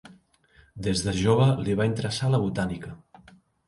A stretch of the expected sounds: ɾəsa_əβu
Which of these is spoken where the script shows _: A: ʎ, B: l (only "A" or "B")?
B